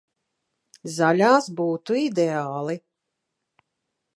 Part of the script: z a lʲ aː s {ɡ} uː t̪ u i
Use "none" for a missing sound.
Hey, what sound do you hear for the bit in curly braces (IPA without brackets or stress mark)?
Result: b